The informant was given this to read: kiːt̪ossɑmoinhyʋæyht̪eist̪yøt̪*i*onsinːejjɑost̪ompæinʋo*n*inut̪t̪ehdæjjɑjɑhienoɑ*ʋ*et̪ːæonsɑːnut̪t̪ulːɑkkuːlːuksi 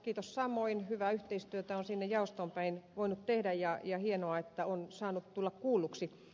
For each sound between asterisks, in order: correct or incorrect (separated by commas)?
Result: incorrect, incorrect, incorrect